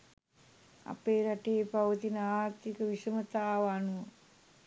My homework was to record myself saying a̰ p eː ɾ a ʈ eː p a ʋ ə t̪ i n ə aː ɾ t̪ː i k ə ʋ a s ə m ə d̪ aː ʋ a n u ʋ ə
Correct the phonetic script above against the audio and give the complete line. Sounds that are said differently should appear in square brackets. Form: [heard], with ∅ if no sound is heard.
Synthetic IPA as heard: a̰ p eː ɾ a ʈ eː p a ʋ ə t̪ i n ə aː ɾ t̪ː i k ə ʋ [i] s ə m ə [t̪] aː ʋ a n u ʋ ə